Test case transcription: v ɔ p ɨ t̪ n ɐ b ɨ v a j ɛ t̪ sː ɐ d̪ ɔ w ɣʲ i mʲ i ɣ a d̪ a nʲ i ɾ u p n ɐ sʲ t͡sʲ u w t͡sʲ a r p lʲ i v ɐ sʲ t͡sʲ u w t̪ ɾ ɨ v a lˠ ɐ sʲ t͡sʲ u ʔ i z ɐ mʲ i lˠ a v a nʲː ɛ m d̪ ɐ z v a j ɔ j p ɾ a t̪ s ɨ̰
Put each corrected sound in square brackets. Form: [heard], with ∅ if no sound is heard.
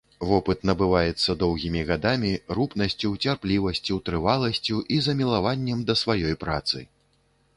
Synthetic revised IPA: v ɔ p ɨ t̪ n ɐ b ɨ v a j ɛ t̪ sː ɐ d̪ ɔ w ɣʲ i mʲ i ɣ a d̪ a [mʲ] i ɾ u p n ɐ sʲ t͡sʲ u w t͡sʲ a r p lʲ i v ɐ sʲ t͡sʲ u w t̪ ɾ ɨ v a lˠ ɐ sʲ t͡sʲ u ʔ i z ɐ mʲ i lˠ a v a nʲː ɛ m d̪ ɐ [s] v a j ɔ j p ɾ a t̪ s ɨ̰